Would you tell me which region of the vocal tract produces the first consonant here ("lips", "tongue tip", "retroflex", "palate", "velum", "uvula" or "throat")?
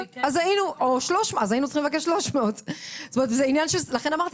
tongue tip